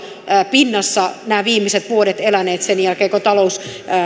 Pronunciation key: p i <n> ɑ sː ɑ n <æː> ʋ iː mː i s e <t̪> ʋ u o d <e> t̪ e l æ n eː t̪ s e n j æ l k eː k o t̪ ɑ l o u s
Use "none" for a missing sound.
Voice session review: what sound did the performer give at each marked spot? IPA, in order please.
nː, æː, t̪, e

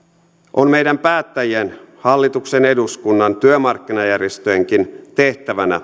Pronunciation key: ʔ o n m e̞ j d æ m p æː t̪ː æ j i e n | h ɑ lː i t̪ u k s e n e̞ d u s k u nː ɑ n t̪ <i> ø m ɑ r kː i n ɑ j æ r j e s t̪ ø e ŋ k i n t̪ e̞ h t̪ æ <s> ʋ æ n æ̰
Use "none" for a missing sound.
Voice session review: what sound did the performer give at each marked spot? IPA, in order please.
y, none

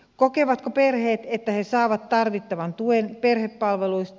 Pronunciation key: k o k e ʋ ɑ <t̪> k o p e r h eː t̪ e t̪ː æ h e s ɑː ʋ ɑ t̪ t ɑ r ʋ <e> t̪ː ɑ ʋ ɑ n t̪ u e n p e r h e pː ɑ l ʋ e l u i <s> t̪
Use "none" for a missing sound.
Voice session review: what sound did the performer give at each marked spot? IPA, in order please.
t̪, i, s

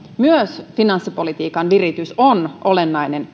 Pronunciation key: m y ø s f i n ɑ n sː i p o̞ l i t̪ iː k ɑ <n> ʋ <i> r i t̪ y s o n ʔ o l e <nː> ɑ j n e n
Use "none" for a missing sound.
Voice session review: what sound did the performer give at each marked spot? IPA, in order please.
n, i, nː

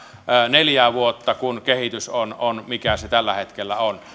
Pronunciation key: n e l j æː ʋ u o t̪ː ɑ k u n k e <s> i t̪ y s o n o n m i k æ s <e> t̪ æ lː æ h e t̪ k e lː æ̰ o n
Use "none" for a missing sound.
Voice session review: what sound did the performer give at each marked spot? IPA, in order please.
h, e

